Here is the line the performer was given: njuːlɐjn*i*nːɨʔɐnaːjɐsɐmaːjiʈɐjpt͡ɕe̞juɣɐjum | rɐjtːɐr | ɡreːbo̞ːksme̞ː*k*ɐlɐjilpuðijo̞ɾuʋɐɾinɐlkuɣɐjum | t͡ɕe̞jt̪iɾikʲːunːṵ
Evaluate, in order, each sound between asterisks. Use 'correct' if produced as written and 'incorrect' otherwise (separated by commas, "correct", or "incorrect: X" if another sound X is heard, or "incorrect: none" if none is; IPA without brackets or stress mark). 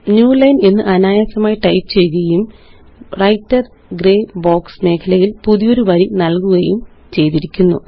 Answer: incorrect: e, incorrect: kʰ